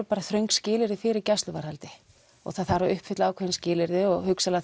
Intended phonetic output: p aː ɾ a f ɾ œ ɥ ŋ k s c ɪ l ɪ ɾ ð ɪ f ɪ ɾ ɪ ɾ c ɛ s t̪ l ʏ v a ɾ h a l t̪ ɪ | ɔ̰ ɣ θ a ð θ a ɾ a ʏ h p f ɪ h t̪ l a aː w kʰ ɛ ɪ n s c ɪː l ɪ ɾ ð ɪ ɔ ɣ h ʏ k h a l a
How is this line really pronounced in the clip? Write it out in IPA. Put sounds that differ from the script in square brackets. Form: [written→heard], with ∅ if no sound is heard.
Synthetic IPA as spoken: p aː ɾ a [f→θ] ɾ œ ɥ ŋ k s c [ɪ→ɪː] l ɪ ɾ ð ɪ f ɪ ɾ ɪ ɾ c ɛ s t̪ l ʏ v a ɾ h a l t̪ ɪ | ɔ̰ ɣ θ a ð θ a ɾ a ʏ h p f ɪ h t̪ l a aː w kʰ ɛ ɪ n s c ɪː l ɪ ɾ ð ɪ ɔ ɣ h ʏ k [h→s] a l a